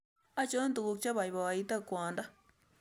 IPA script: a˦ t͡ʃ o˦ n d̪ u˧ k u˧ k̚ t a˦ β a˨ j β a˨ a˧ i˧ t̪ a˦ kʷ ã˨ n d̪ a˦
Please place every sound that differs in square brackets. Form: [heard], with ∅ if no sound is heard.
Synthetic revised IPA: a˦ t͡ʃ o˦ n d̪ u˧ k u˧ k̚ [t͡ʃ] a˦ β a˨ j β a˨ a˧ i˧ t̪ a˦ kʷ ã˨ n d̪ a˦